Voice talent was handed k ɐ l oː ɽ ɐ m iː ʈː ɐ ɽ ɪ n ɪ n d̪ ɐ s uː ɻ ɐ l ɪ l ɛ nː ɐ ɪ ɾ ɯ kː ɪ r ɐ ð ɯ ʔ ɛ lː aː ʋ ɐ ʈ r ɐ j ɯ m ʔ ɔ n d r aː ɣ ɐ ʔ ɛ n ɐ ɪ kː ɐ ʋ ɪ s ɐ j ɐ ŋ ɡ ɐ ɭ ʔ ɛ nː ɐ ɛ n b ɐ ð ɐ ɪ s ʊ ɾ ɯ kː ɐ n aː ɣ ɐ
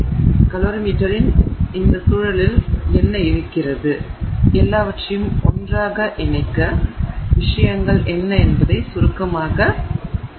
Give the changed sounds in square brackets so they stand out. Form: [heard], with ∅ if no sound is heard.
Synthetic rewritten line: k ɐ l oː [ɾ] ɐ m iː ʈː ɐ [ɾ] ɪ n ɪ n d̪ ɐ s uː ɻ ɐ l ɪ l ɛ nː ɐ ɪ ɾ ɯ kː ɪ r ɐ ð ɯ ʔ ɛ lː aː ʋ ɐ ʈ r ɐ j ɯ m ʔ ɔ n d r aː ɣ ɐ ʔ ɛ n ɐ ɪ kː ɐ ʋ ɪ [ʂ] ɐ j ɐ ŋ ɡ ɐ ɭ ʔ ɛ nː ɐ ɛ n b ɐ ð ɐ ɪ s ʊ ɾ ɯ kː ɐ [m] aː ɣ ɐ